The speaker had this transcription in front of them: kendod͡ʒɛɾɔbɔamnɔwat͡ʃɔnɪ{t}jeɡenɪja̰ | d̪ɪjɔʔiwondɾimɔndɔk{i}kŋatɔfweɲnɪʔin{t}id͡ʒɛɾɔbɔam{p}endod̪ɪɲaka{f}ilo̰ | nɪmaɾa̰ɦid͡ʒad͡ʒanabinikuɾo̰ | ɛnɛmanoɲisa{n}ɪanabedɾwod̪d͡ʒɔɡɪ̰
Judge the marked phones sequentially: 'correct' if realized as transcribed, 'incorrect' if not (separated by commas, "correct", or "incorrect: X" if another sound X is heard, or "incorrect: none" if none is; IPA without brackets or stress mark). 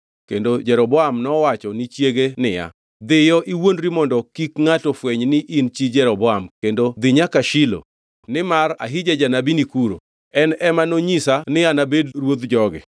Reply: incorrect: t͡ʃ, correct, incorrect: t͡ʃ, incorrect: k, incorrect: ʃ, correct